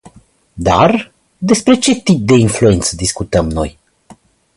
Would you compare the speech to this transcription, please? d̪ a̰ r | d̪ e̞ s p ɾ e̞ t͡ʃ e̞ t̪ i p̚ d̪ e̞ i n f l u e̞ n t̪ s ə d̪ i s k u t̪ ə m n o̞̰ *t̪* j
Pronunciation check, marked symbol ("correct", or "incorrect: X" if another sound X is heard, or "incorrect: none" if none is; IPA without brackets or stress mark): incorrect: none